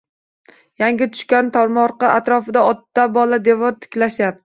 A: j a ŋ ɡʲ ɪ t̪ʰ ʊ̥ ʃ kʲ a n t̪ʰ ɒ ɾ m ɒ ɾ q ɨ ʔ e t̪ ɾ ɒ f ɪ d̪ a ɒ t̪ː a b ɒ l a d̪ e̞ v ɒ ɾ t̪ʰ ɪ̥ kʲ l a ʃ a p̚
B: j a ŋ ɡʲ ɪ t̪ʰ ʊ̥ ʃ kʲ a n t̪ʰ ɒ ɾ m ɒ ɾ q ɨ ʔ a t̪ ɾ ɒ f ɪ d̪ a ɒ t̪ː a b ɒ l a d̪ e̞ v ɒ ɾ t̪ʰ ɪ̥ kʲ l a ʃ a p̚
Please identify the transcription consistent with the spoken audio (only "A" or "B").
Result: B